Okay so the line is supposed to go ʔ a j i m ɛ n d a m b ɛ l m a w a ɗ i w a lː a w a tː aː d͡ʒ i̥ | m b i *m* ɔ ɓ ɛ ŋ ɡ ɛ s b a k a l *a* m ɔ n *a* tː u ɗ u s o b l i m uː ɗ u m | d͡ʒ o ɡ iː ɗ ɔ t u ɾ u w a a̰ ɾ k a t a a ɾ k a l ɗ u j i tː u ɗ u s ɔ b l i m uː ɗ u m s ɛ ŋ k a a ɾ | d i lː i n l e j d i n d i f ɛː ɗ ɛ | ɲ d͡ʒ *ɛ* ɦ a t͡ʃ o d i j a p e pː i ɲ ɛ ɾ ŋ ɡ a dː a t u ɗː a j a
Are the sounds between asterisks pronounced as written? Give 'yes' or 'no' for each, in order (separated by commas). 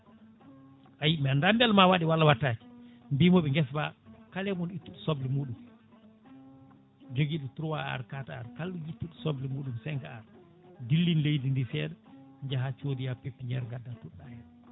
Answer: yes, no, no, no